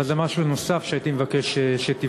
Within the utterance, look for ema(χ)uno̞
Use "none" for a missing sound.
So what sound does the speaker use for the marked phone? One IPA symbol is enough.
ʃ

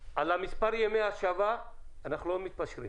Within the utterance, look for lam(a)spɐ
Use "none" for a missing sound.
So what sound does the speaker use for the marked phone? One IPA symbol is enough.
i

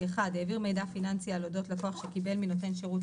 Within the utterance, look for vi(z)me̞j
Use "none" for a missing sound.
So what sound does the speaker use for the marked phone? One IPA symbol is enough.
ʁ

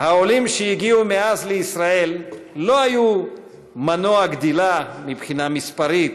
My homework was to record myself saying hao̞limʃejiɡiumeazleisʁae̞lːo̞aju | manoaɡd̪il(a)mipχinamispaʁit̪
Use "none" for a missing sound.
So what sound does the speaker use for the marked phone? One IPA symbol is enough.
a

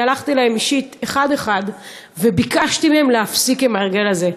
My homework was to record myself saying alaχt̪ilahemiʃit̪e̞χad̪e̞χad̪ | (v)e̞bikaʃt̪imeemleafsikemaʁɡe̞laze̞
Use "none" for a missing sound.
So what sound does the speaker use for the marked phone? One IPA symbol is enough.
v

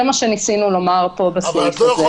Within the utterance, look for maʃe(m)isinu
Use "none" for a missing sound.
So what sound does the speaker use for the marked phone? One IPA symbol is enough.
n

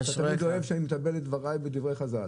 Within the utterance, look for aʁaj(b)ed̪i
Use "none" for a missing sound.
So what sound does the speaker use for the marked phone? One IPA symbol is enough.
b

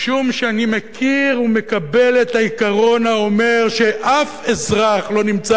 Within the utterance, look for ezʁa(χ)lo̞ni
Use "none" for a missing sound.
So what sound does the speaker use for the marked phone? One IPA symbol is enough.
χ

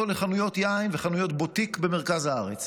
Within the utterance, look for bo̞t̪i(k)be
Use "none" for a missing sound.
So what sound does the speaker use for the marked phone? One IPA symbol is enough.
k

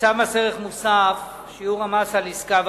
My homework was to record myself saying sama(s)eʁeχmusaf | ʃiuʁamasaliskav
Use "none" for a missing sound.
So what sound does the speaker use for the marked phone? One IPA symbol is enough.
s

